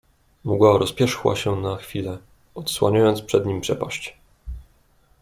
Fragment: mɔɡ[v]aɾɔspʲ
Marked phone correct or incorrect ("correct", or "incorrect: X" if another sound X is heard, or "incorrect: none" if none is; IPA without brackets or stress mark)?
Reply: incorrect: w